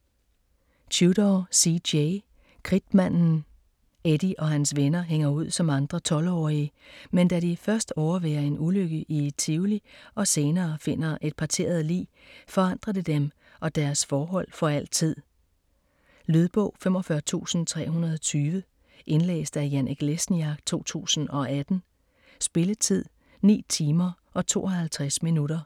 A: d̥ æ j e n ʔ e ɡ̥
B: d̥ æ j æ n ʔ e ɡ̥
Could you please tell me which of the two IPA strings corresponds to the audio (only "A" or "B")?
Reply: B